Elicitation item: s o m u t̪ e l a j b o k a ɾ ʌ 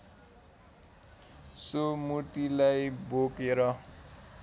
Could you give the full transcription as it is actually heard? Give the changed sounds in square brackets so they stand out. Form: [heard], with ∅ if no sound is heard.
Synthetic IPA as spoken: s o m u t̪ [i] l a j b o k [e] ɾ ʌ